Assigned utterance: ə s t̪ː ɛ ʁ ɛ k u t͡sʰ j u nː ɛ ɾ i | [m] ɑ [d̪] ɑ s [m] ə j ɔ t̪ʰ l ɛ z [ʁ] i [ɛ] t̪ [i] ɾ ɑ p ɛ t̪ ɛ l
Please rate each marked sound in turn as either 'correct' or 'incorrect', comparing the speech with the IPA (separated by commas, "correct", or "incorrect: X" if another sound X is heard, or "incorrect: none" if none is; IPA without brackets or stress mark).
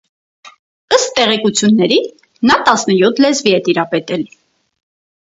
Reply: incorrect: n, incorrect: t̪, incorrect: n, incorrect: v, correct, correct